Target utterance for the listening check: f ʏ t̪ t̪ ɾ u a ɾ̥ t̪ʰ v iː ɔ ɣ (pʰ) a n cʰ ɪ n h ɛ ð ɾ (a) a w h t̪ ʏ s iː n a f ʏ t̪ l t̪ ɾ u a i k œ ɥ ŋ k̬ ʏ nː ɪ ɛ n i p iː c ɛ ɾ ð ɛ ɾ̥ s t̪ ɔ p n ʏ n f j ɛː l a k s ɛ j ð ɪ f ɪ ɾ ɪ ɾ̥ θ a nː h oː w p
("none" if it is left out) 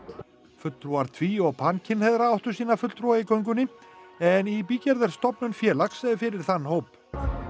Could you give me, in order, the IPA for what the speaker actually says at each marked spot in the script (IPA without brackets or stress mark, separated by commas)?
pʰ, a